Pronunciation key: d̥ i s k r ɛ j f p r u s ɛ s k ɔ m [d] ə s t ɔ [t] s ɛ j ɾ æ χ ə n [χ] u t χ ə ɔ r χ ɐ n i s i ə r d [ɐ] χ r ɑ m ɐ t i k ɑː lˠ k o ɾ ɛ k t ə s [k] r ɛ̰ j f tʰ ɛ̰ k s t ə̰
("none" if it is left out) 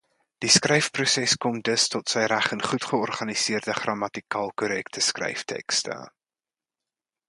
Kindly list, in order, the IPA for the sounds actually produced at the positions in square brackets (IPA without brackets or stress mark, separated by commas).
d, t, χ, ə, k